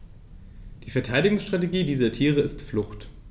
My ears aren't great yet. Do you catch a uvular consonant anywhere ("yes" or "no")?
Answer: yes